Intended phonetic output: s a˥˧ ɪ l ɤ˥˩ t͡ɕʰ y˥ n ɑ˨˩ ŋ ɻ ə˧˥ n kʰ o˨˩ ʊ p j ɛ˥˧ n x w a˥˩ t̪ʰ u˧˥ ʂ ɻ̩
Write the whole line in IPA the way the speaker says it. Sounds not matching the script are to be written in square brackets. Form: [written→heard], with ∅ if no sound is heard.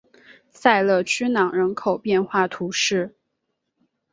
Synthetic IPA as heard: s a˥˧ ɪ l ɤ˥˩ t͡ɕʰ y˥ n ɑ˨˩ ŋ ɻ ə˧˥ n kʰ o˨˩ ʊ p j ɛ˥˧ n x w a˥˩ t̪ʰ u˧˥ ʂ ɻ̩

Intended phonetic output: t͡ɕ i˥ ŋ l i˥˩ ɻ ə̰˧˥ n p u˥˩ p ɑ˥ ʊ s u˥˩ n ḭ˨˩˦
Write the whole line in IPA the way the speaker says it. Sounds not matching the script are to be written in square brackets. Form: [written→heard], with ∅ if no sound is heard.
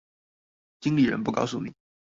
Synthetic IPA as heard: t͡ɕ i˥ ŋ l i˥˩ ɻ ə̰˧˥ n p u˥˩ [p→k] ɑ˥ ʊ s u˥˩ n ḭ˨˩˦

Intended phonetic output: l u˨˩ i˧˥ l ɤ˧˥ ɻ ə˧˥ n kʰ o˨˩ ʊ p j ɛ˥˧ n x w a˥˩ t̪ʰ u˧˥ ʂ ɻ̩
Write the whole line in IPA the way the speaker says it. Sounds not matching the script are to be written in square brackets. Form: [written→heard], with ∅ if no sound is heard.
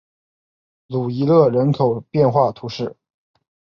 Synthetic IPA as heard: l u˨˩ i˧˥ l [ɤ˧˥→ɤ˥˩] ɻ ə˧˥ n kʰ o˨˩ ʊ p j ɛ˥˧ n x w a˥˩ t̪ʰ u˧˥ ʂ ɻ̩

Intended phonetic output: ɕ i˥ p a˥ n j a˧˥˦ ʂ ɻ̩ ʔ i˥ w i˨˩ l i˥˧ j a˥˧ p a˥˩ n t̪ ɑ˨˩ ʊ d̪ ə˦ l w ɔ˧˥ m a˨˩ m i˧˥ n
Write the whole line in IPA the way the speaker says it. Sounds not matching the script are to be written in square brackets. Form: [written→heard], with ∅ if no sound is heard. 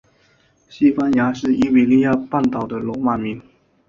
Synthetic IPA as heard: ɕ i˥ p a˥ n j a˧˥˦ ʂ ɻ̩ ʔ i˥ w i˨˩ l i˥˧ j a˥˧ p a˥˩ n t̪ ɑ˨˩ ʊ d̪ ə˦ l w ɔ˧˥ m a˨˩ m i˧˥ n

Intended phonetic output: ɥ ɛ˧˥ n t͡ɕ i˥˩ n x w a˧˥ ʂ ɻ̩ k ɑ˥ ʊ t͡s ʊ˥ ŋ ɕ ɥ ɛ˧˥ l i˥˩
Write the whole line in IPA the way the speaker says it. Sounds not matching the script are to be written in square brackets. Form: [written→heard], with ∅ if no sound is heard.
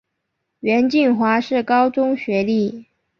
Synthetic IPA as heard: ɥ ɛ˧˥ n t͡ɕ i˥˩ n x w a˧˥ ʂ ɻ̩ k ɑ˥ ʊ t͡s ʊ˥ ŋ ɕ ɥ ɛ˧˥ l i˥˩

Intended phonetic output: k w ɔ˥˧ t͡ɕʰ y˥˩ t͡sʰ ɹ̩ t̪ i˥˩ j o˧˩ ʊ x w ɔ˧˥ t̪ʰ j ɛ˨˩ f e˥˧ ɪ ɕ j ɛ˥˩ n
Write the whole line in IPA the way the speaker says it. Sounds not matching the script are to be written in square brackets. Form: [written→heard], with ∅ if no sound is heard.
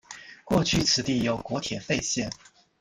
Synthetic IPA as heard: k w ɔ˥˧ t͡ɕʰ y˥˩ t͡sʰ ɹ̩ t̪ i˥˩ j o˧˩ ʊ [x→k] w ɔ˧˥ t̪ʰ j ɛ˨˩ f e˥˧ ɪ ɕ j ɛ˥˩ n

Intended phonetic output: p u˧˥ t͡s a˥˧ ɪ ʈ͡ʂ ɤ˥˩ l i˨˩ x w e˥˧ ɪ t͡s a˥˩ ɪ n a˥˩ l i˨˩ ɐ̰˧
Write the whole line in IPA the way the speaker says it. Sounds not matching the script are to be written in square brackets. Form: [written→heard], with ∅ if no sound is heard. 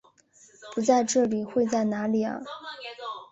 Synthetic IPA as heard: p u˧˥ t͡s a˥˧ ɪ ʈ͡ʂ ɤ˥˩ l i˨˩ x w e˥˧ ɪ t͡s a˥˩ ɪ n [a˥˩→a˧˥] l i˨˩ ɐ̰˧

